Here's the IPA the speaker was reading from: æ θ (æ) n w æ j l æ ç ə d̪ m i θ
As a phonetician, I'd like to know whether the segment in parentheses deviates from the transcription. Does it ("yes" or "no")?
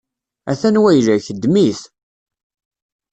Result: no